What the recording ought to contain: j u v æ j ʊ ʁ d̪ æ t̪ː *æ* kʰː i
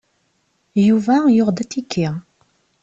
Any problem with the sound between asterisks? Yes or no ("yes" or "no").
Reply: yes